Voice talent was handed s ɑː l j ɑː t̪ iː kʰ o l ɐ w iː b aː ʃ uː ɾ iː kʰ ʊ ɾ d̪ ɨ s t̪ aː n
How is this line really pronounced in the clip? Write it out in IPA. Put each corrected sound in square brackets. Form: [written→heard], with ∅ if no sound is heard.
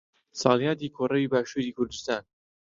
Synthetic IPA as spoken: s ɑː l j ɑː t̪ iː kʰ o [l→r] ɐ w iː b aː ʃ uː ɾ iː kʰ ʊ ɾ d̪ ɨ s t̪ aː n